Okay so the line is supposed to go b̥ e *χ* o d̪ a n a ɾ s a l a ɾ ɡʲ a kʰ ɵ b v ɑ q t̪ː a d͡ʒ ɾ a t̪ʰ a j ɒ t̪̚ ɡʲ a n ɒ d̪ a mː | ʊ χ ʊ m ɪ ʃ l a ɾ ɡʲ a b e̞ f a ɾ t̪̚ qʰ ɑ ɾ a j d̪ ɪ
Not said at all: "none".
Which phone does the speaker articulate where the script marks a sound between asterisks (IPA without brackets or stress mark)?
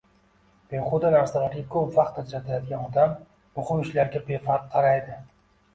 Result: χ